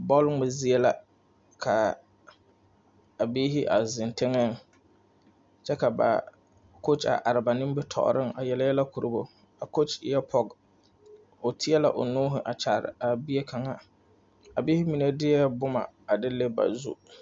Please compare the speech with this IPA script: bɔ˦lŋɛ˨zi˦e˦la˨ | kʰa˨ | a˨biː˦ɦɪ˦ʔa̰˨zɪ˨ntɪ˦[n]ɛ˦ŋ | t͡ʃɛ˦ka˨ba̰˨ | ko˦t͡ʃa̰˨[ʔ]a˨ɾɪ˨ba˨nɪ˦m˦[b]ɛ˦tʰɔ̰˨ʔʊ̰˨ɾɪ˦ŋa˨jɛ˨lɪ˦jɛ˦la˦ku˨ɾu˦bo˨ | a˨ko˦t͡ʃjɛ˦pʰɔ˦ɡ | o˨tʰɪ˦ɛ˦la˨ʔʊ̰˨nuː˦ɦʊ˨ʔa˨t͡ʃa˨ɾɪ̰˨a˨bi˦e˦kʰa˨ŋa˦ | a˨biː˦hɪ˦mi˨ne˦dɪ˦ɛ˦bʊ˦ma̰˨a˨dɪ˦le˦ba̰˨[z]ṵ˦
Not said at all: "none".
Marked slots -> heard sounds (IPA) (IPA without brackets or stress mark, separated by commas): ŋ, ʔ, b, z